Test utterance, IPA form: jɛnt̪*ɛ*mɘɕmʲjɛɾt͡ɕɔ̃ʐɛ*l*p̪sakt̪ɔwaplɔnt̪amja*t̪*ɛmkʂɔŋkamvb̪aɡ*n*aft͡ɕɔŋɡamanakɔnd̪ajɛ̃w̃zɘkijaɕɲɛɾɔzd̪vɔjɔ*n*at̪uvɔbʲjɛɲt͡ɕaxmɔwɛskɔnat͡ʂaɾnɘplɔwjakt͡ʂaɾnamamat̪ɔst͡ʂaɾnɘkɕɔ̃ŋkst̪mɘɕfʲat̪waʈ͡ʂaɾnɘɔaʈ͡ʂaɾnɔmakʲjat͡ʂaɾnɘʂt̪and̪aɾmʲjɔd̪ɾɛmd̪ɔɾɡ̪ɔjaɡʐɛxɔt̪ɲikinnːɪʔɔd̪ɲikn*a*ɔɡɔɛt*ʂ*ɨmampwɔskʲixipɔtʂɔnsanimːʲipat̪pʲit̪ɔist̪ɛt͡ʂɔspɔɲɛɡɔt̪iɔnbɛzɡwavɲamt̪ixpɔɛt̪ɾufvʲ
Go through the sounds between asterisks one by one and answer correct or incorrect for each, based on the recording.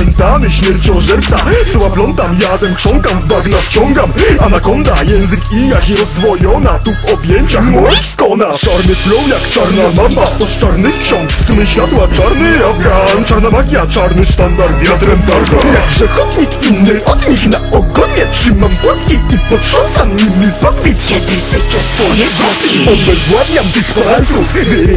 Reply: incorrect, incorrect, incorrect, correct, correct, correct, correct

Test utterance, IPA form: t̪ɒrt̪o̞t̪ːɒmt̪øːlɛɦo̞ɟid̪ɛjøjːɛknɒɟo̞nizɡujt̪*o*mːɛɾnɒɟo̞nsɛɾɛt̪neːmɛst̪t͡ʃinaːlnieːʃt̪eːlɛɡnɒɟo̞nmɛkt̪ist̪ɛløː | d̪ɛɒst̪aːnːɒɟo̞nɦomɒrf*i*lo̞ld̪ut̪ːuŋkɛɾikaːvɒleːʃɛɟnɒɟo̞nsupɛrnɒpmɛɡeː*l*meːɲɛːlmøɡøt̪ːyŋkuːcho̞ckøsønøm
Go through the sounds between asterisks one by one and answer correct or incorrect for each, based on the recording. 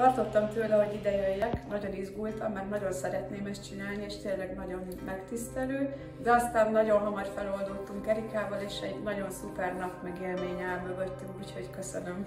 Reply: incorrect, incorrect, correct

